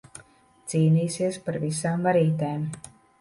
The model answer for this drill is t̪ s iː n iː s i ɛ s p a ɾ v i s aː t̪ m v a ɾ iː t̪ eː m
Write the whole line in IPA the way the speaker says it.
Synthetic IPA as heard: t̪ s iː n iː s i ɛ s p a ɾ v i s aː m v a ɾ iː t̪ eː m